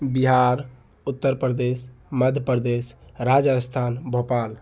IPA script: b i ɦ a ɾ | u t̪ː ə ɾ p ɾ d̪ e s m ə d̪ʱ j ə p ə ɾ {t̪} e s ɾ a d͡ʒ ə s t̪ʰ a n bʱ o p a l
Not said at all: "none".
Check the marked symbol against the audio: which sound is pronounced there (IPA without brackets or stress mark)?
d̪